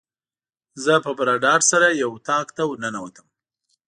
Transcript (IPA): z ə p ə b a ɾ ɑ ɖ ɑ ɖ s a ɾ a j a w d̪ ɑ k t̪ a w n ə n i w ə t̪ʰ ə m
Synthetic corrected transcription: z ə p ə b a ɾ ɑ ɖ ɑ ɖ s a ɾ a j a w t̪ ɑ k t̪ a w n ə n a w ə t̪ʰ ə m